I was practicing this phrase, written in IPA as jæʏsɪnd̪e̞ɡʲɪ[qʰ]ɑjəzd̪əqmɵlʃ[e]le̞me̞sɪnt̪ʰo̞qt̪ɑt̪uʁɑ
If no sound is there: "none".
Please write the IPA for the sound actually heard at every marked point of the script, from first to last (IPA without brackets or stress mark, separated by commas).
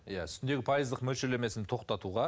pʰ, e